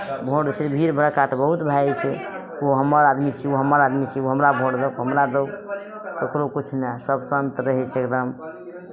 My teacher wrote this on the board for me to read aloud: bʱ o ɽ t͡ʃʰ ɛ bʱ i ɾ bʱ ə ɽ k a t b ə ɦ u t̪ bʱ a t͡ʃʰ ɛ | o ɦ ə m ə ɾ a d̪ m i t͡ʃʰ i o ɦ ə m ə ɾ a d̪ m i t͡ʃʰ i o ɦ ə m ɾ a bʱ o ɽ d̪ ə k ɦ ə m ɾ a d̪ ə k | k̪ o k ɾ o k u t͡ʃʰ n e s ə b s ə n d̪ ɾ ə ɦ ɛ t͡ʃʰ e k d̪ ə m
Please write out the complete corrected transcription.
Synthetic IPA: bʱ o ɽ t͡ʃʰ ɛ bʱ i ɾ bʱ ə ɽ k a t b ə ɦ u t̪ bʱ a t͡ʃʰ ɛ | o ɦ ə m ə ɾ a d̪ m i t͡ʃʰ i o ɦ ə m ə ɾ a d̪ m i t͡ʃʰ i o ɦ ə m ɾ a bʱ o ɽ d̪ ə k ɦ ə m ɾ a d̪ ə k | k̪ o k ɾ o k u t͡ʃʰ n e s ə b s ə n t̪ ɾ ə ɦ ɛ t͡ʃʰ e k d̪ ə m

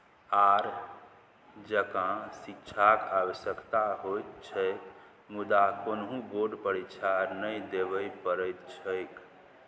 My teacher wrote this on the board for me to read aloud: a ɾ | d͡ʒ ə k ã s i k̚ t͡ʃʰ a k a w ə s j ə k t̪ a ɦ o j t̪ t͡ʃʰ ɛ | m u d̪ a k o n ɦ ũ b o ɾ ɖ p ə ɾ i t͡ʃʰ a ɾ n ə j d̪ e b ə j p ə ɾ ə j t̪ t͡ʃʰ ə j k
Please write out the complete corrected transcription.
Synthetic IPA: a ɾ | d͡ʒ ə k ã s i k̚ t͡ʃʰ a k a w ə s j ə k t̪ a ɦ o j t̪ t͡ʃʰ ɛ | m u d̪ a k o n ɦ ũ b o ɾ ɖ p ə ɾ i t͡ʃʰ a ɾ n ə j d̪ e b ə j p ə ɾ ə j t̪ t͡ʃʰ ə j k

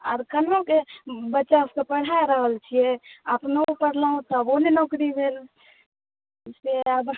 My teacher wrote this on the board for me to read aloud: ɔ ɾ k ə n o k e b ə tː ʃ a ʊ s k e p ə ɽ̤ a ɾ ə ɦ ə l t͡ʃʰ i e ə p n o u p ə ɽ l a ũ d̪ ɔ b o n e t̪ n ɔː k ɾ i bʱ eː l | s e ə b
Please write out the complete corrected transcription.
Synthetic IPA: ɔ ɾ k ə n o k e b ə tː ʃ a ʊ s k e p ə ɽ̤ a ɾ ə ɦ ə l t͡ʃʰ i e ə p n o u p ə ɽ l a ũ t̪ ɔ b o n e n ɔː k ɾ i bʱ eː l | s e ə b

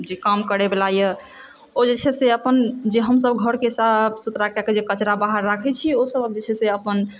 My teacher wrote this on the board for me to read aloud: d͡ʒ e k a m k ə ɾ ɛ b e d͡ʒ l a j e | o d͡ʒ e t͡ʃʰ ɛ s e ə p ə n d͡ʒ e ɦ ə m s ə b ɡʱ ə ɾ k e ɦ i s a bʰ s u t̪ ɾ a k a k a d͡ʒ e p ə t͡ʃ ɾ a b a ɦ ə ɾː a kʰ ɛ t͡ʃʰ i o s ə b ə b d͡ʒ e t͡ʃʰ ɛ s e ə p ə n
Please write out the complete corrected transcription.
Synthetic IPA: d͡ʒ e k a m k ə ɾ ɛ b e l a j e | o d͡ʒ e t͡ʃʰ ɛ s e ə p ə n d͡ʒ e ɦ ə m s ə b ɡʱ ə ɾ k e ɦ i s a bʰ s u t̪ ɾ a k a k e d͡ʒ e k ə t͡ʃ ɾ a b a ɦ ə ɾː a kʰ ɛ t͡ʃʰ i o s ə b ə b d͡ʒ e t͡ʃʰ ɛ s e ə p ə n

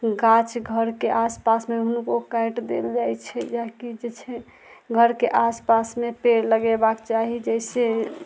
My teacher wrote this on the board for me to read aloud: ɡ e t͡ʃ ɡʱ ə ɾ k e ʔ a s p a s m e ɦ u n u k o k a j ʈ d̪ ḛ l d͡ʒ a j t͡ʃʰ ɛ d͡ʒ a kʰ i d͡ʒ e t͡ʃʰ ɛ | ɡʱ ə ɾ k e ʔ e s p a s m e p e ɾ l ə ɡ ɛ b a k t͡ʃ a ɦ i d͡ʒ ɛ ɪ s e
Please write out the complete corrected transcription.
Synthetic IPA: ɡ a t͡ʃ ɡʱ ə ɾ k e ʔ a s p a s m e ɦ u n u k o k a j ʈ d̪ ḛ l d͡ʒ a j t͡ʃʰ ɛ d͡ʒ a k i d͡ʒ e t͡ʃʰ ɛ | ɡʱ ə ɾ k e ʔ a s p a s m e p e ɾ l ə ɡ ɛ b a k t͡ʃ a ɦ i d͡ʒ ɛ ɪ s e

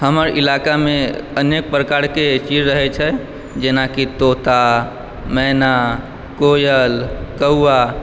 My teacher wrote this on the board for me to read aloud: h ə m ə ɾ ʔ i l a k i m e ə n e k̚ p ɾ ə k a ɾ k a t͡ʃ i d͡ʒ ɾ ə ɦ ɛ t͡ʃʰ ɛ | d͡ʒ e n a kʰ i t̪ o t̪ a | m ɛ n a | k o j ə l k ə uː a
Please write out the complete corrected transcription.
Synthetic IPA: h ə m ə ɾ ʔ i l a k a m e ə n e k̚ p ɾ ə k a ɾ k e t͡ʃ i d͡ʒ ɾ ə ɦ ɛ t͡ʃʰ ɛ | d͡ʒ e n a k i t̪ o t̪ a | m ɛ n a | k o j ə l k ə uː a

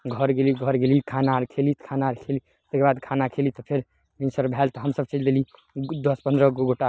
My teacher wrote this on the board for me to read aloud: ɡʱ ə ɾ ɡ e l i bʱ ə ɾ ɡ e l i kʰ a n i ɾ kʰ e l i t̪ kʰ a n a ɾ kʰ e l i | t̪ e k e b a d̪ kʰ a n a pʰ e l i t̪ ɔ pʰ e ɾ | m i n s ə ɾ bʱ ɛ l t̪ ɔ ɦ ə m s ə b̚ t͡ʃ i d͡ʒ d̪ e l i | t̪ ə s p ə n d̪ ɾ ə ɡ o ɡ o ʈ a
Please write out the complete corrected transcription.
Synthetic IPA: ɡʱ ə ɾ ɡ e l i ɡʱ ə ɾ ɡ e l i kʰ a n a ɾ kʰ e l i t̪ kʰ a n a ɾ kʰ e l i | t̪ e k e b a d̪ kʰ a n a kʰ e l i t̪ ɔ pʰ e ɾ | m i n s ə ɾ bʱ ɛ l t̪ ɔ ɦ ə m s ə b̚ t͡ʃ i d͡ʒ d̪ e l i | d̪ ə s p ə n d̪ ɾ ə ɡ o ɡ o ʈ a

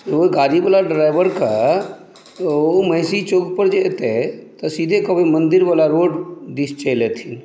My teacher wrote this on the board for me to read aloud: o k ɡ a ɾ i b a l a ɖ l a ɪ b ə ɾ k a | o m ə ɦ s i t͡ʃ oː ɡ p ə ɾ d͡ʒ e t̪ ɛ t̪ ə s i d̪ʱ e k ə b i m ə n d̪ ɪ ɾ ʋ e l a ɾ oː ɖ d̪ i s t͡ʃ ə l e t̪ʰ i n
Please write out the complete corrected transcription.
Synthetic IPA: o ɡ a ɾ i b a l a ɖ ɾ a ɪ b ə ɾ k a | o m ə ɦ s i t͡ʃ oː ɡ p ə ɾ d͡ʒ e t̪ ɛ t̪ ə s i d̪ʱ e k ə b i m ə n d̪ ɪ ɾ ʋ a l a ɾ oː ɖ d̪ i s t͡ʃ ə l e t̪ʰ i n

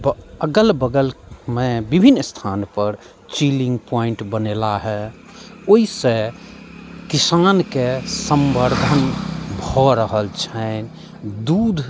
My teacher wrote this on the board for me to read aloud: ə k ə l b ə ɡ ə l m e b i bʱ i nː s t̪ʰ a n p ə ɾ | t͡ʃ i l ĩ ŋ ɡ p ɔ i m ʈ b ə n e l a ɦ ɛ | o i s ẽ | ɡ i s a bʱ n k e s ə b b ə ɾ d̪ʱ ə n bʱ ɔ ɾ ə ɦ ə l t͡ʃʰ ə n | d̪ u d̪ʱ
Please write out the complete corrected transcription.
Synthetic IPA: ə ɡ ə l b ə ɡ ə l m e b i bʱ i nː s t̪ʰ a n p ə ɾ | t͡ʃ i l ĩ ŋ ɡ p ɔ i ɳ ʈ b ə n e l a ɦ ɛ | o i s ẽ | k i s a n k e s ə m b ə ɾ d̪ʱ ə n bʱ ɔ ɾ ə ɦ ə l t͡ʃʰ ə n | d̪ u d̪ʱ

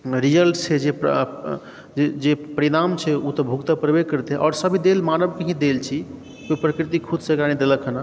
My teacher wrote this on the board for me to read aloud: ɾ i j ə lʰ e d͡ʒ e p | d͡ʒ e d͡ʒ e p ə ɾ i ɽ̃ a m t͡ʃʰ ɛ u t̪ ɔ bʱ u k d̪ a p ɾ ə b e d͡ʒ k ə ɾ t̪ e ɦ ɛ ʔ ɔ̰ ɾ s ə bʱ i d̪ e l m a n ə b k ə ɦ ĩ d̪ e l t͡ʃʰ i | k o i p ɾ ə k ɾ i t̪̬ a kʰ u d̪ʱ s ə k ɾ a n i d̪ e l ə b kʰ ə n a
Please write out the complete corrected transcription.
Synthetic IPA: ɾ i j ə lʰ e d͡ʒ e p | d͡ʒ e d͡ʒ e p ə ɾ i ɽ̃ a m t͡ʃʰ ɛ u t̪ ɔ bʱ u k t̪ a p ɾ ə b e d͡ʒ k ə ɾ t̪ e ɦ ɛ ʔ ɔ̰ ɾ s ə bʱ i d̪ e l m a n ə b k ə ɦ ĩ d̪ e l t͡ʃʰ i | k o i p ɾ ə k ɾ i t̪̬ i kʰ u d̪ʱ s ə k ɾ a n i d̪ e l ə kʰ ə n a

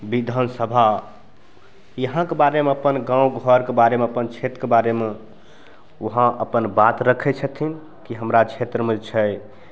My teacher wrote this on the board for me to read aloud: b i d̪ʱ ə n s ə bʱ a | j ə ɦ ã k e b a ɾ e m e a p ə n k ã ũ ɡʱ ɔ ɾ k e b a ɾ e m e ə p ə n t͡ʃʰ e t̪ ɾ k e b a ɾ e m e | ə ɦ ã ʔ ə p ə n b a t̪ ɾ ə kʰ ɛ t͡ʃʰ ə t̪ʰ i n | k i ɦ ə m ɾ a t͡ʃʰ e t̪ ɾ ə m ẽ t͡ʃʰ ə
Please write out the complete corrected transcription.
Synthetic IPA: b i d̪ʱ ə n s ə bʱ a | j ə ɦ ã k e b a ɾ e m e ə p ə n ɡ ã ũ ɡʱ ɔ ɾ k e b a ɾ e m e ə p ə n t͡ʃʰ e t̪ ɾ k e b a ɾ e m e | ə ɦ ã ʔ ə p ə n b a t̪ ɾ ə kʰ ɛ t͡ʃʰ ə t̪ʰ i n | k i ɦ ə m ɾ a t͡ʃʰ e t̪ ɾ ə m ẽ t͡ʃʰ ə

